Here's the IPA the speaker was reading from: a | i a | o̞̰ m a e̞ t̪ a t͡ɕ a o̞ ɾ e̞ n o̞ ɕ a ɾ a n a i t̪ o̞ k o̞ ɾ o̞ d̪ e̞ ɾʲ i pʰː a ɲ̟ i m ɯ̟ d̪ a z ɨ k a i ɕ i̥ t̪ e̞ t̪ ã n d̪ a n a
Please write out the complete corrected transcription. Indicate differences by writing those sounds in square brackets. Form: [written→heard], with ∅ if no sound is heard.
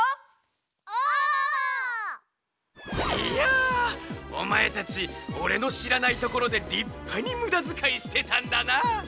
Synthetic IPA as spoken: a | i a | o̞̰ m a e̞ t̪ a t͡ɕ [a→i] o̞ ɾ e̞ n o̞ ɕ [a→i] ɾ a n a i t̪ o̞ k o̞ ɾ o̞ d̪ e̞ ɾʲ i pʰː a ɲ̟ i m ɯ̟ d̪ a z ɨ k a i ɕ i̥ t̪ e̞ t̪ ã n d̪ a n a